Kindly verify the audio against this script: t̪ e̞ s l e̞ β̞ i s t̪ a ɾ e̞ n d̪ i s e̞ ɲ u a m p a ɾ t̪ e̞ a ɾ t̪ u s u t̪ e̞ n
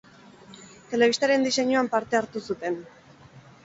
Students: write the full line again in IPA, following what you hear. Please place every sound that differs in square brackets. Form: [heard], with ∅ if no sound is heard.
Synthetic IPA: t̪ e̞ [∅] l e̞ β̞ i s t̪ a ɾ e̞ n d̪ i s e̞ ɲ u a m p a ɾ t̪ e̞ a ɾ t̪ u s u t̪ e̞ n